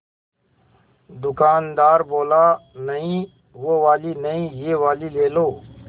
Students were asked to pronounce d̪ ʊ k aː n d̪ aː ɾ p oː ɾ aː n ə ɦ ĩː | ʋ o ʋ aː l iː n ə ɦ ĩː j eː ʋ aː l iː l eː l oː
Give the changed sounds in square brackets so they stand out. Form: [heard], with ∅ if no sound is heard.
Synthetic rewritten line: d̪ ʊ k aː n d̪ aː ɾ [b] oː [l] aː n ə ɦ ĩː | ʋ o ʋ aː l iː n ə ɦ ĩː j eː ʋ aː l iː l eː l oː